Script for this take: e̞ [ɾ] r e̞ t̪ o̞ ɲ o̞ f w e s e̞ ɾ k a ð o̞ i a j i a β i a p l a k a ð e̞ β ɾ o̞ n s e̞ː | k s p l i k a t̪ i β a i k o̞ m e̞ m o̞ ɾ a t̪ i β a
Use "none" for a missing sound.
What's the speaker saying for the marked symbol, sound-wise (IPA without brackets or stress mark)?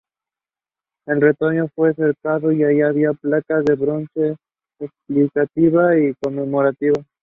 l